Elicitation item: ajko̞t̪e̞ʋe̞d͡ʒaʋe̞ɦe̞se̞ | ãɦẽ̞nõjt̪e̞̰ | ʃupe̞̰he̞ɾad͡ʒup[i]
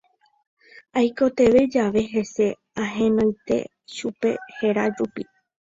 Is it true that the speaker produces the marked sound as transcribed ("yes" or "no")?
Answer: yes